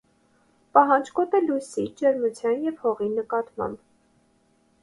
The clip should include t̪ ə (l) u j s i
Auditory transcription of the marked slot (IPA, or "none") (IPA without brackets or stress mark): l